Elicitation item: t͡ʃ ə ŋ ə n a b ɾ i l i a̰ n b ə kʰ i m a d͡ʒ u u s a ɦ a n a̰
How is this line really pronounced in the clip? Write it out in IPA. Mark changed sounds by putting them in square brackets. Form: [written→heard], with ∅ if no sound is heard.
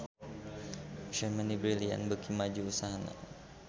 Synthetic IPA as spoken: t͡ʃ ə [ŋ→m] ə n [a→i] b ɾ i l i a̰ n b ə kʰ i m a d͡ʒ u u s a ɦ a n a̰